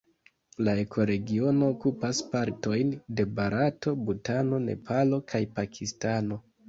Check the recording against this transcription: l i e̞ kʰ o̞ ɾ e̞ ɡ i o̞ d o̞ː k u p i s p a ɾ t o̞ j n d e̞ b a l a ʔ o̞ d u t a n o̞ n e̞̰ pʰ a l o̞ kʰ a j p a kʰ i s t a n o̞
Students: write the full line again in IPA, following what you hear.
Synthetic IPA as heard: l a e̞ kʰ o̞ ɾ e̞ ɡ i o̞ n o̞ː k u p a s p a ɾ t o̞ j n d e̞ b a ɾ a t o̞ b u t a n o̞ n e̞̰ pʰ a l o̞ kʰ a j p a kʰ i s t a n o̞